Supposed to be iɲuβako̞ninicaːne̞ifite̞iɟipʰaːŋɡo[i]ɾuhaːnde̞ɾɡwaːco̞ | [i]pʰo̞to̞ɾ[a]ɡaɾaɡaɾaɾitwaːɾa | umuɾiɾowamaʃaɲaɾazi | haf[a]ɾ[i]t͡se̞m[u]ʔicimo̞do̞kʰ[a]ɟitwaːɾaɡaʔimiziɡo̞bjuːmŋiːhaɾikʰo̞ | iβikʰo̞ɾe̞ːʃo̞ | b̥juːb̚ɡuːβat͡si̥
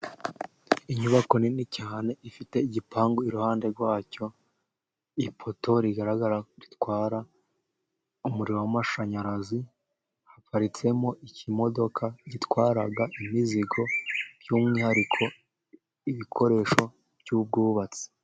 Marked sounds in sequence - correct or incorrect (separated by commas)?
correct, correct, incorrect, correct, correct, incorrect, correct